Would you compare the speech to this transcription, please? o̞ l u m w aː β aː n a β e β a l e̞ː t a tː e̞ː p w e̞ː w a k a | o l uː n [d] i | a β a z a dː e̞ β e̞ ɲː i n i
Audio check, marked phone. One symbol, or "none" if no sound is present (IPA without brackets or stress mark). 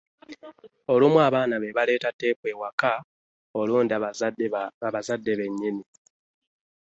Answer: d